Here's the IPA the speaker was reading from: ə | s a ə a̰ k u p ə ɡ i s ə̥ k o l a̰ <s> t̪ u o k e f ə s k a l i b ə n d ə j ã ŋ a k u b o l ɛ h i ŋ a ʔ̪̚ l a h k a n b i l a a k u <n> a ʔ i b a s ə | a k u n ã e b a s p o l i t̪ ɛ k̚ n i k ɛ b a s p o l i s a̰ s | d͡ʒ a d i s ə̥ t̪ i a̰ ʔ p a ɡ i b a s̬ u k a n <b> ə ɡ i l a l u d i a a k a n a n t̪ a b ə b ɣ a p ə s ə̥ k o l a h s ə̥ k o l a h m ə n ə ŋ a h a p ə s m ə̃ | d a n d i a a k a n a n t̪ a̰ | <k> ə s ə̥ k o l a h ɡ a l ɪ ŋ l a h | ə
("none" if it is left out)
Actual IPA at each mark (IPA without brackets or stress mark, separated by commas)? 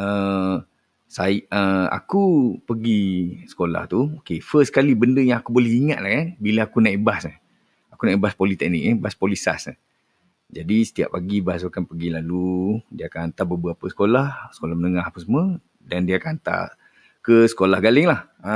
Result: h, n, p, k